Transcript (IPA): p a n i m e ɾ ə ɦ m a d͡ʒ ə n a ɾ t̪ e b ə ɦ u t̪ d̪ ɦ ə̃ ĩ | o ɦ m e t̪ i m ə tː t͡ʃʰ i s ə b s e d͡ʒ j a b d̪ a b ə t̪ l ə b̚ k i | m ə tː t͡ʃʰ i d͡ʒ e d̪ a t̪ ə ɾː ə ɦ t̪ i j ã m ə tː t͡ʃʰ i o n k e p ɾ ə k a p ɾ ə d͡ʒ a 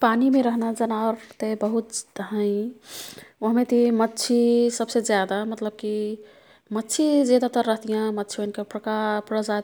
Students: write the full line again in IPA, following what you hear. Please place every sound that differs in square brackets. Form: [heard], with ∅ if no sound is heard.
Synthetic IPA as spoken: p a n i m e ɾ ə ɦ [n] a d͡ʒ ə n a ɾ t̪ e b ə ɦ u t̪ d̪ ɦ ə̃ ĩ | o ɦ m e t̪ i m ə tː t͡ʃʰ i s ə b s e d͡ʒ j a [∅] d̪ a [m] ə t̪ l ə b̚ k i | m ə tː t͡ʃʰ i d͡ʒ e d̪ a t̪ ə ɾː ə ɦ t̪ i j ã m ə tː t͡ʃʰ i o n k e p ɾ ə k a p ɾ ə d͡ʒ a